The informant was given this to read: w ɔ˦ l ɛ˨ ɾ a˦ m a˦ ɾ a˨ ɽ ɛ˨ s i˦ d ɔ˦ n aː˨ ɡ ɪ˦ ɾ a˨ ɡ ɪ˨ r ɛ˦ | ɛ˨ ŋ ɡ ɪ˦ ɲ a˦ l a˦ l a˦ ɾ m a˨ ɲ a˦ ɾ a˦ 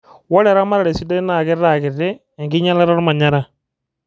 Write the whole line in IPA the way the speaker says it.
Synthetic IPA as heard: w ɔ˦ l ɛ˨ ɾ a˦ m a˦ ɾ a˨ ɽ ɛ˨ s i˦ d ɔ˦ n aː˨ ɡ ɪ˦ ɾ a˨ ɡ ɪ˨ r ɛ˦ | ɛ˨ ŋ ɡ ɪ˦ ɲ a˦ l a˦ ɾ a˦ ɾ m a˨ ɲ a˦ ɾ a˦